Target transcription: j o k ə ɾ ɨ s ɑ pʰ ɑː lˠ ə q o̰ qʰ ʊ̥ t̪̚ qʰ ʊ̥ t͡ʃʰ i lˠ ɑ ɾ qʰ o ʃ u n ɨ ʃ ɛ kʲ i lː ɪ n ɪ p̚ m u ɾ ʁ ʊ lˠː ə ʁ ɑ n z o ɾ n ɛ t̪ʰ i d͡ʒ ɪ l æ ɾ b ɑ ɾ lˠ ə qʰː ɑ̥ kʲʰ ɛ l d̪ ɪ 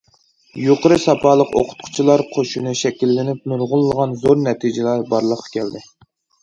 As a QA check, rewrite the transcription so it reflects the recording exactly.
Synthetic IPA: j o q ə ɾ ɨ s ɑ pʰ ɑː lˠ ə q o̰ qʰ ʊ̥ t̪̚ qʰ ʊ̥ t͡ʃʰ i lˠ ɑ ɾ qʰ o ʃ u n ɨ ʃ ɛ kʲ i lː ɪ n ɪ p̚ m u ɾ ʁ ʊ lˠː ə ʁ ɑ n z o ɾ n ɛ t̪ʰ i d͡ʒ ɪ l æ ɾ b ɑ ɾ lˠ ə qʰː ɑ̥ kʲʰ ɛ l d̪ ɪ